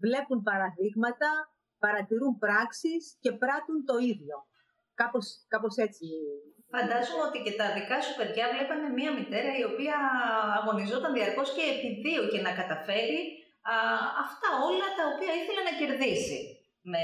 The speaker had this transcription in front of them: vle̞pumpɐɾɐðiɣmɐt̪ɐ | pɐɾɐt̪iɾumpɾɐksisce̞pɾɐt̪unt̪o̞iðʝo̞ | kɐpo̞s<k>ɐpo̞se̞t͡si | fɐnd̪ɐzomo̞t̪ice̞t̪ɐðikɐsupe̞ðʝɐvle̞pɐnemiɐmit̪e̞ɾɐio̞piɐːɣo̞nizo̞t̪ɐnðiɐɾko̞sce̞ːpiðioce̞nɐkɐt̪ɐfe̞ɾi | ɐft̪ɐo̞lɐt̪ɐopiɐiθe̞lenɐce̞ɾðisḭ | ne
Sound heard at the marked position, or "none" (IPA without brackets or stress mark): k